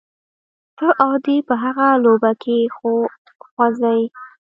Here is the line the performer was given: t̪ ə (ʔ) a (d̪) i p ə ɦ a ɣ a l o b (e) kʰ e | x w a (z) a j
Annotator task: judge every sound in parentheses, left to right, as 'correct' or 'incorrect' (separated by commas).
correct, correct, incorrect, correct